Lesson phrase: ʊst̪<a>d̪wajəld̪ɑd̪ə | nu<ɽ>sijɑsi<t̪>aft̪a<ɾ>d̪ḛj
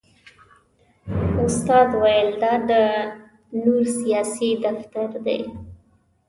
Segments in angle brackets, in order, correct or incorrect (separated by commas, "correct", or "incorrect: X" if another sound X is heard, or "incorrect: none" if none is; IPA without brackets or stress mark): incorrect: ɑ, incorrect: ɾ, incorrect: d̪, correct